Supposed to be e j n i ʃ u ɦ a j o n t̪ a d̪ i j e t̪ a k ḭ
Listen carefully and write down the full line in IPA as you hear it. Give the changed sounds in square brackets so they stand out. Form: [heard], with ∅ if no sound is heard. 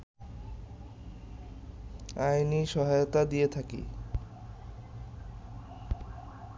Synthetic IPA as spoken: [a] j n i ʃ [ɔ] ɦ a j o [∅] t̪ a d̪ i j e [t̪ʰ] a k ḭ